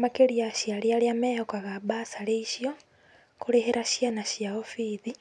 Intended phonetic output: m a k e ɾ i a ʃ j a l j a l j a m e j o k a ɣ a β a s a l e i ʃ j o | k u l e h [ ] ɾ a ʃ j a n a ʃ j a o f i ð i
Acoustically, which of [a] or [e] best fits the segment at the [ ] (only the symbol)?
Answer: e